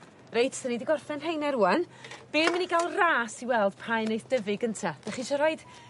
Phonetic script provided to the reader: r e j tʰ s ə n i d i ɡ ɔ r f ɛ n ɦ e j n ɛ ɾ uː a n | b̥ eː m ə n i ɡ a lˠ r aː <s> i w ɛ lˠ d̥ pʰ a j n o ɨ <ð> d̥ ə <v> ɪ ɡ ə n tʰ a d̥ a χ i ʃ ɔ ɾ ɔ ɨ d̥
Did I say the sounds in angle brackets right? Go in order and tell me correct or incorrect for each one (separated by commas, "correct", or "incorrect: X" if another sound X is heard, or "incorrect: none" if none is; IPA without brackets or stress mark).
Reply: correct, incorrect: θ, correct